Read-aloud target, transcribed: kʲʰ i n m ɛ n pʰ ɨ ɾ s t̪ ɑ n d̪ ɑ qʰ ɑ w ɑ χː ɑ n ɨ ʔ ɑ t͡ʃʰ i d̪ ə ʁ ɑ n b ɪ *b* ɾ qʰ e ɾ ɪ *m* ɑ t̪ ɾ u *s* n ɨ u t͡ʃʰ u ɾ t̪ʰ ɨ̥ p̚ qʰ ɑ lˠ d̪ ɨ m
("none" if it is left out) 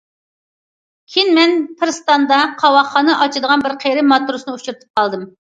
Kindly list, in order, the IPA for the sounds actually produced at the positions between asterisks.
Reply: none, m, s

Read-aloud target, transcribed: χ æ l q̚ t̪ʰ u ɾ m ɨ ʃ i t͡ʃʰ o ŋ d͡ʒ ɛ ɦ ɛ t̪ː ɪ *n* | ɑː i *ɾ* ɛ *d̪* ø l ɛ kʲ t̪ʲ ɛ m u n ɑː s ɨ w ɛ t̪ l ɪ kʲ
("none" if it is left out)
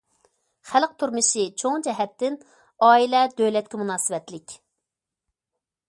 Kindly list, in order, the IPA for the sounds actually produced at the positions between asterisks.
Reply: n, l, d̪

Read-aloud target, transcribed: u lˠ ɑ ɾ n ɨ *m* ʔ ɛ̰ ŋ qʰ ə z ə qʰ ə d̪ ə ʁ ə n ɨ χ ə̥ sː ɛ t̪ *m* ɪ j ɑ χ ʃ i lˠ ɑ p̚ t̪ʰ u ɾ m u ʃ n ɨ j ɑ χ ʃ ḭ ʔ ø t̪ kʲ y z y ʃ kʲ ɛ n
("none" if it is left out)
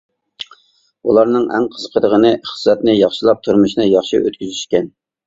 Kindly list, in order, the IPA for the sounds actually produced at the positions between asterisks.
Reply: ŋ, n

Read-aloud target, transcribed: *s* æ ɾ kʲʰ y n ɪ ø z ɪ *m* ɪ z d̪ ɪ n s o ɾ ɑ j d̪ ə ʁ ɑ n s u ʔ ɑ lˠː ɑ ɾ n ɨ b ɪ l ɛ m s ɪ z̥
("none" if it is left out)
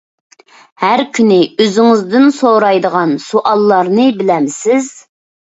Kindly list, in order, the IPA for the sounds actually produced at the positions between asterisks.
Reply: h, ŋ

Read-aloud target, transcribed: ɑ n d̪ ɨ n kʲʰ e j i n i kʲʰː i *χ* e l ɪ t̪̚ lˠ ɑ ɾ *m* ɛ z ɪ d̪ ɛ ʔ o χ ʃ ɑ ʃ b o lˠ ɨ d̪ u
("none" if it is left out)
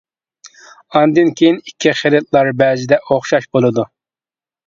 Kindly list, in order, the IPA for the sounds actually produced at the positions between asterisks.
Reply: χ, b

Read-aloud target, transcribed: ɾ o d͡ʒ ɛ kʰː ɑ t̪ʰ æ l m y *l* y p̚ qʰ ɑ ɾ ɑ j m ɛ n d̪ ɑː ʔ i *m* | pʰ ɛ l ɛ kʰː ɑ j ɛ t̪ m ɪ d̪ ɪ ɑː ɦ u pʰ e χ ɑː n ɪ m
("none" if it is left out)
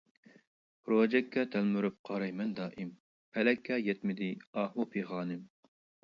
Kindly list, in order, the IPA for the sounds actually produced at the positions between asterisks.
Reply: ɾ, m

